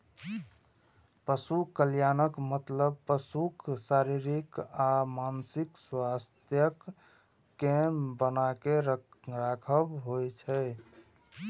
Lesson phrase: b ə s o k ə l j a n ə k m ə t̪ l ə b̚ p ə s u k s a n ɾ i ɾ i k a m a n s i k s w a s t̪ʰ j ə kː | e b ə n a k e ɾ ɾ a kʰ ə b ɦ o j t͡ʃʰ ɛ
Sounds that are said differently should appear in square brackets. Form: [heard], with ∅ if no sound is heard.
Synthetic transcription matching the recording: [p] ə s [u] k ə l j a n ə k m ə t̪ l ə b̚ p ə s u k s a [∅] ɾ i ɾ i k a m a n s i k s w a s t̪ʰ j ə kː | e b ə n a k e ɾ ɾ a kʰ ə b ɦ o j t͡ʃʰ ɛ

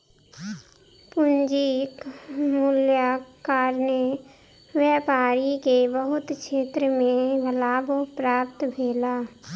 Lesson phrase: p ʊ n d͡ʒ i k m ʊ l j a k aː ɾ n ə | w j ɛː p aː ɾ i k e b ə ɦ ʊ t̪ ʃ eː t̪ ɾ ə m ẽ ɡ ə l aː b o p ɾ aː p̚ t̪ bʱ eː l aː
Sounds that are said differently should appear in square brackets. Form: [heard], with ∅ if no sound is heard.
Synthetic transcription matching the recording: p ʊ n d͡ʒ i k m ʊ l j a k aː ɾ n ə | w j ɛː p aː ɾ i k e b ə ɦ ʊ t̪ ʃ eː t̪ ɾ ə m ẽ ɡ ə l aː b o p ɾ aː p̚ t̪ bʱ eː l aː

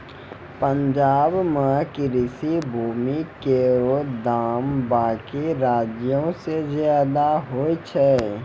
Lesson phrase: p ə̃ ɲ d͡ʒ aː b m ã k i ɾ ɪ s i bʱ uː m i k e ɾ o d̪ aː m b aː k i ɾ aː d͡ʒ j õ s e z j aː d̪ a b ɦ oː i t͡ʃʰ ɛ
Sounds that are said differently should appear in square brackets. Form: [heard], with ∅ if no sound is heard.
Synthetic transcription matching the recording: p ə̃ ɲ d͡ʒ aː b m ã k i ɾ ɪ s i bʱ uː m i k e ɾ o d̪ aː m b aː k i ɾ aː d͡ʒ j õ s e z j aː d̪ a [∅] ɦ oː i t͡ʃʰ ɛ

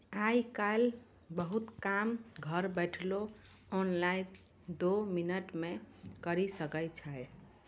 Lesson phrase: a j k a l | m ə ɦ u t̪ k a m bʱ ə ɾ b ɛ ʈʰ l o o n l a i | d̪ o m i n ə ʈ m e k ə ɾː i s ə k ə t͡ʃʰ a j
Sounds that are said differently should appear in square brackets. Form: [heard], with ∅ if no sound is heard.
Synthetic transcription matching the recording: a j k a l | [b] ə ɦ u t̪ k a m [ɡʱ] ə ɾ b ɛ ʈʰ l o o n l a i | d̪ o m i n ə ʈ m e k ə [ɾ] i s ə k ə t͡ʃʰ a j

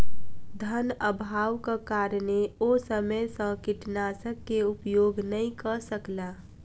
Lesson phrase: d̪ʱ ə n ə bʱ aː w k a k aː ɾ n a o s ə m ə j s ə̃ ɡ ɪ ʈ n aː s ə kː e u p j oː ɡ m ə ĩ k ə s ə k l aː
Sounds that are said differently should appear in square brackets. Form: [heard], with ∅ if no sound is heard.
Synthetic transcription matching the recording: d̪ʱ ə n ə bʱ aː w k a k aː ɾ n [e] o s ə m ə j s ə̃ [k] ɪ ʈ n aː s ə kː e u p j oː ɡ [n] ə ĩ k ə s ə k l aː

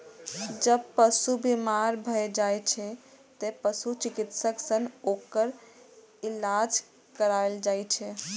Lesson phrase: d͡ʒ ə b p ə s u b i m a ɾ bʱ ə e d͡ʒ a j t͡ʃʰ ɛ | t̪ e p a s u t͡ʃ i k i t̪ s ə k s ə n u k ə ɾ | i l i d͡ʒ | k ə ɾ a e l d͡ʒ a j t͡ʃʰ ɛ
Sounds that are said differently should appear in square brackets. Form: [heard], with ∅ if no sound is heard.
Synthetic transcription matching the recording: d͡ʒ ə b p ə s u b i m a ɾ bʱ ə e d͡ʒ a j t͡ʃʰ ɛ | t̪ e p [ə] s u t͡ʃ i k i t̪ s ə k s ə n [o] k ə ɾ | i l [a] d͡ʒ | k ə ɾ a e l d͡ʒ a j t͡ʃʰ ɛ

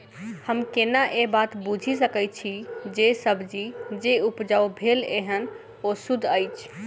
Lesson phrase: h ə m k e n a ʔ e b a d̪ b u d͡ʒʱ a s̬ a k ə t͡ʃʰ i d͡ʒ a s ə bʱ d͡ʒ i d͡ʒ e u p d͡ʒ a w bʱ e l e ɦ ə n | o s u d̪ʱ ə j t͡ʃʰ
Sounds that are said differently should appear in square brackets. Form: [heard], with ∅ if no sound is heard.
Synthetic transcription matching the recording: h ə m k e n a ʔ e b a [t̪] b u d͡ʒʱ [i] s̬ [ə] k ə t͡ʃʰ i d͡ʒ [e] s ə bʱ d͡ʒ i d͡ʒ e u p d͡ʒ a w bʱ e l e ɦ ə n | o s u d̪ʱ ə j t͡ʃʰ

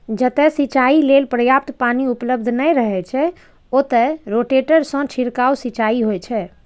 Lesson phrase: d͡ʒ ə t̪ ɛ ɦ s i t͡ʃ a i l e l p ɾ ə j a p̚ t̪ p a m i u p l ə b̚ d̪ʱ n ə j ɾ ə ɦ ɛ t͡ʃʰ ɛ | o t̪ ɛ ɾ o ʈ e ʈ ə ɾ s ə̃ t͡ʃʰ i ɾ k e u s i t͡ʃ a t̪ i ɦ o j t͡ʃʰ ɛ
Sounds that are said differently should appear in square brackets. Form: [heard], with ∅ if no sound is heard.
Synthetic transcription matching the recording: d͡ʒ ə t̪ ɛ [∅] s i t͡ʃ a i l e l p ɾ ə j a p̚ t̪ p a [n] i u p l ə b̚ d̪ʱ n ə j ɾ ə ɦ ɛ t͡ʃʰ ɛ | o t̪ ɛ ɾ o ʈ e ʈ ə ɾ s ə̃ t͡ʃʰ i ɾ k [a] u s i t͡ʃ a [∅] i ɦ o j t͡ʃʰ ɛ

